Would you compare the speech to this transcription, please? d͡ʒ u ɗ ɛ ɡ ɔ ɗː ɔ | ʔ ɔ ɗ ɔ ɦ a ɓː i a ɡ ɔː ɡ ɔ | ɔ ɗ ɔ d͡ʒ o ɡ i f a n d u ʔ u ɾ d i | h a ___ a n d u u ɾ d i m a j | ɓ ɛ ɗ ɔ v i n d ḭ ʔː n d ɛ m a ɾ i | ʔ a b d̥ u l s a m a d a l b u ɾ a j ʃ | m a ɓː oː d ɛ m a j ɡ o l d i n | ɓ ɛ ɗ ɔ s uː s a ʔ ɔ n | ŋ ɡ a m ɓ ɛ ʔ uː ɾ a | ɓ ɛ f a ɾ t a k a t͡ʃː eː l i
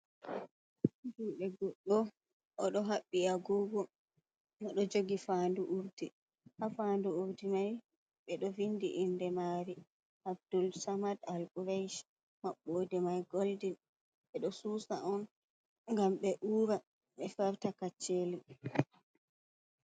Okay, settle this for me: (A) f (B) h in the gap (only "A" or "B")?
A